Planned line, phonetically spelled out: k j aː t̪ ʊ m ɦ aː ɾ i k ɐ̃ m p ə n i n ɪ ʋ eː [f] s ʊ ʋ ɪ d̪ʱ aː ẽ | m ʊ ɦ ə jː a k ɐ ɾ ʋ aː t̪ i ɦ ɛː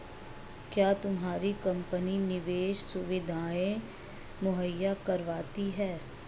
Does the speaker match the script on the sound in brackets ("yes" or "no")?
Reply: no